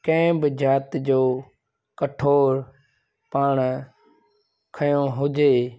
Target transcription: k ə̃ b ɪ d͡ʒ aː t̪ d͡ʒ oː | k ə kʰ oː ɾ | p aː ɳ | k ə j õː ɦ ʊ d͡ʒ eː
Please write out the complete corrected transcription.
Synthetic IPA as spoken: k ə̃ b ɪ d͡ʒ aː t̪ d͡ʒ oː | k ə ʈʰ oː ɾ | p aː ɳ | kʰ ə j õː ɦ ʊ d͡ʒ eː